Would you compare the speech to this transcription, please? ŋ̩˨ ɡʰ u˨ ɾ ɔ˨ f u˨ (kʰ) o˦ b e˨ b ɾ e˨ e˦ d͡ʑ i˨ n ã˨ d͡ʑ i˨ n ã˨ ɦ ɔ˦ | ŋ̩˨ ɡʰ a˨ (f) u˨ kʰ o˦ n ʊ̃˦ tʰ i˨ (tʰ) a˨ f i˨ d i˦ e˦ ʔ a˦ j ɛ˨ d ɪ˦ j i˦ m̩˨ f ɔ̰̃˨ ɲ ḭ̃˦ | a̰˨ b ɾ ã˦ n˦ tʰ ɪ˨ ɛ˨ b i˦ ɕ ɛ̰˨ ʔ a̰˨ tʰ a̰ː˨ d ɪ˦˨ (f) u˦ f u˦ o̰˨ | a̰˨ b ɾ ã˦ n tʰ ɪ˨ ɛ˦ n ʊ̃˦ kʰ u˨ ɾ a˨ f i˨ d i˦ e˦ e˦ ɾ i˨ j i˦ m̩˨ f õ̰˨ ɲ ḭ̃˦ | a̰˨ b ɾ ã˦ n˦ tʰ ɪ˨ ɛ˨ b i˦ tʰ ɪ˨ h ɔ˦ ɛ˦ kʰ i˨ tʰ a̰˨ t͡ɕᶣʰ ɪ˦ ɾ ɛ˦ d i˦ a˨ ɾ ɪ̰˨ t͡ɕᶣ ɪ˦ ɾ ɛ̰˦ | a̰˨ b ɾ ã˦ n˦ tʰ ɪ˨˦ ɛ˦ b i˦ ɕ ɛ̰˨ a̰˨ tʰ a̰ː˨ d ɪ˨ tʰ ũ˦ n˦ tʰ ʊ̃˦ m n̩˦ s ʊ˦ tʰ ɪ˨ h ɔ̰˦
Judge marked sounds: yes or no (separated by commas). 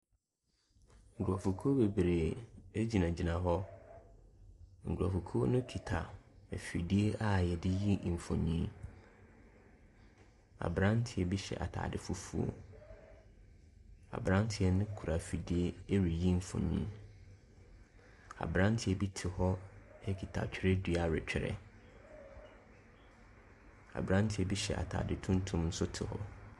yes, yes, yes, yes